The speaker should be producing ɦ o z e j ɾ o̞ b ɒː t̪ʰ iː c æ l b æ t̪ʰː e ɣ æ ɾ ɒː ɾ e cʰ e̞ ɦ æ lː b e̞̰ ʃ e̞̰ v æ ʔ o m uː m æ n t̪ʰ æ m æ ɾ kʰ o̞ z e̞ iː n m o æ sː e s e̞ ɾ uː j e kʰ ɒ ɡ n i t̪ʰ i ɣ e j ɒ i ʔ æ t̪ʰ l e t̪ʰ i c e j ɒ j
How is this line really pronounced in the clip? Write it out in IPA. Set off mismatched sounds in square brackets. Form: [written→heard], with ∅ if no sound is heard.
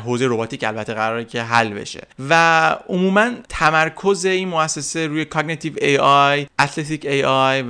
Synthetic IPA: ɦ o z e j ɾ o̞ b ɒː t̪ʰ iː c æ l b æ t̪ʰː e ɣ æ ɾ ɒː ɾ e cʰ e̞ ɦ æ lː b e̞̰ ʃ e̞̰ v æ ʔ o m uː m æ n t̪ʰ æ m æ ɾ kʰ o̞ z e̞ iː n m o æ sː e s e̞ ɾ uː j e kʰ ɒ ɡ n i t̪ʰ i [ɣ→v] e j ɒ [i→j] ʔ æ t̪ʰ l e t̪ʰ i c e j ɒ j